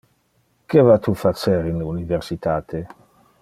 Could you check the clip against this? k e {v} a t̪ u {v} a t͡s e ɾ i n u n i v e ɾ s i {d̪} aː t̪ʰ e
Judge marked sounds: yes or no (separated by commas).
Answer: yes, no, no